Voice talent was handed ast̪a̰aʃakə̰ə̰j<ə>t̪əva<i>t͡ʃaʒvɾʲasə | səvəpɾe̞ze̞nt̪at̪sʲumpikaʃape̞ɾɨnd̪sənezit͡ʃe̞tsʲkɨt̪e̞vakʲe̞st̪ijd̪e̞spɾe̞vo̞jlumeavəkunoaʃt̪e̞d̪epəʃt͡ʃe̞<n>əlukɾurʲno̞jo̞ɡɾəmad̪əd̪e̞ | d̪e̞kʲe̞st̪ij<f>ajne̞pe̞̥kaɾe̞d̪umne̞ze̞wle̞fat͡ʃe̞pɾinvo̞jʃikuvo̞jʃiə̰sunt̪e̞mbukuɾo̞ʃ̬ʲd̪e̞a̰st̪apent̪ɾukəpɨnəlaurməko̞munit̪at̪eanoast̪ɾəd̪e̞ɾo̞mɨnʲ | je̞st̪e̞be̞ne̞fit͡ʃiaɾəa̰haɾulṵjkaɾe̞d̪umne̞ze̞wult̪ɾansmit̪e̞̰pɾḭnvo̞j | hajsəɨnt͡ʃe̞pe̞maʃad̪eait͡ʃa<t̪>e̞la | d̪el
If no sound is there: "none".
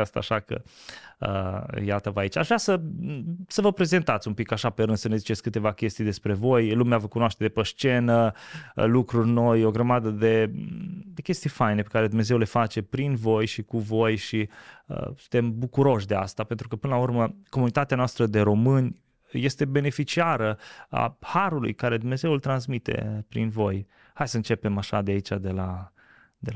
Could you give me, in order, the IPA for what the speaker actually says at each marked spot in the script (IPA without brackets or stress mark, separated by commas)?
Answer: a, i, n, f, d̪